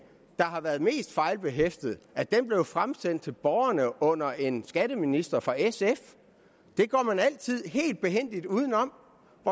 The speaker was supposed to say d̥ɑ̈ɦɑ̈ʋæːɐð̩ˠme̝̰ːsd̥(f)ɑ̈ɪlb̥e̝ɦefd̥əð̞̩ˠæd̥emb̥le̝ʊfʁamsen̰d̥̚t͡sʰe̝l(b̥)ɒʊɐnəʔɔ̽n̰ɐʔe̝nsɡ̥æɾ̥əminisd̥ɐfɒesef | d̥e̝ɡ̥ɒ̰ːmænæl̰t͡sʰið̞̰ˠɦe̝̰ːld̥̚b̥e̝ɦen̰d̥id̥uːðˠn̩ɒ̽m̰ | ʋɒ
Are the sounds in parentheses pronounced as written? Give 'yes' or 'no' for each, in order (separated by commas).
yes, yes